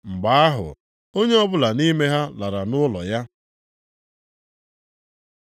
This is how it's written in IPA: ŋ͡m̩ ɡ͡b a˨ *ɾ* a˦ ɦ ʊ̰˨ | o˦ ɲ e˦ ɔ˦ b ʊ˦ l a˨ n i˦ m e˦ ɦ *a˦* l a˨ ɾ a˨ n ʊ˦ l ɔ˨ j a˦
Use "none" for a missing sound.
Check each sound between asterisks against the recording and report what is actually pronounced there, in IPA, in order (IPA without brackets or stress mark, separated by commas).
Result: none, a˦